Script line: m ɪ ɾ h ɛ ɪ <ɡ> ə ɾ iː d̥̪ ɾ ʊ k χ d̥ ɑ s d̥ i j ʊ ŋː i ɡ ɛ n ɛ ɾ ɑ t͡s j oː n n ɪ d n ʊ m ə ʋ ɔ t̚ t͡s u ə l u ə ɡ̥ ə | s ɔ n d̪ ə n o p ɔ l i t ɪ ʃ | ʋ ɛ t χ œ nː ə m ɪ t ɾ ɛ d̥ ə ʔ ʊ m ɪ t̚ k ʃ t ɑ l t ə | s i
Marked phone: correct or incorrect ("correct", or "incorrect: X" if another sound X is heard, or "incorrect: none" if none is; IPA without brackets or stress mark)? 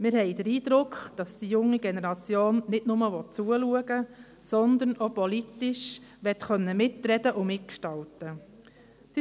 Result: incorrect: d